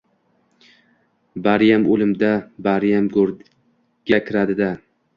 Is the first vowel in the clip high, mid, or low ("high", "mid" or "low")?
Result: low